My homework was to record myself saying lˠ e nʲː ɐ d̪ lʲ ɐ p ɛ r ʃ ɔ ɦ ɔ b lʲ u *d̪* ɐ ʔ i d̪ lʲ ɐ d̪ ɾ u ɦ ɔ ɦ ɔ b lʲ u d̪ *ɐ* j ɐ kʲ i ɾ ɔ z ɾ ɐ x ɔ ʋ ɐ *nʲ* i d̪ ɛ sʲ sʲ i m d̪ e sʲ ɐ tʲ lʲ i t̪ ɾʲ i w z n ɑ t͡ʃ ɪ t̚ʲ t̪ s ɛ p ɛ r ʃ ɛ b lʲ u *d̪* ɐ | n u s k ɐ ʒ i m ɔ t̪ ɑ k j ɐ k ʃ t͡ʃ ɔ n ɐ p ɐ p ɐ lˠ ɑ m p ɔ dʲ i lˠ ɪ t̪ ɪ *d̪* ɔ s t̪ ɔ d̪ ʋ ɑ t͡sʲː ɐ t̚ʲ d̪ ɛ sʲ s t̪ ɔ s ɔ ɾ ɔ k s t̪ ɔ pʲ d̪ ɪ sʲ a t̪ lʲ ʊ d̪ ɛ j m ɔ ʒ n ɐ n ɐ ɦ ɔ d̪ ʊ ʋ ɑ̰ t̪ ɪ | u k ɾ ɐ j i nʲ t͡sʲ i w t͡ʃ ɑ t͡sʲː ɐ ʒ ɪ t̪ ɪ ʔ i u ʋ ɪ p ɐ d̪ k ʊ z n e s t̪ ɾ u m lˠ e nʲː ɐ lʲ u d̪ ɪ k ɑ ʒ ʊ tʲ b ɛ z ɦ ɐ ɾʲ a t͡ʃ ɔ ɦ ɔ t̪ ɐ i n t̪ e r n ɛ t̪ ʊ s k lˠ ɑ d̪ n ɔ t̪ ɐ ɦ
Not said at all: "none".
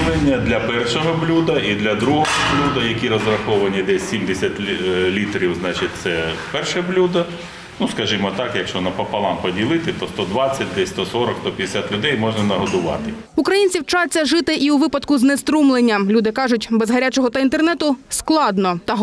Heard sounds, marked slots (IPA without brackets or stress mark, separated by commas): d̪, ɐ, nʲ, d̪, t̪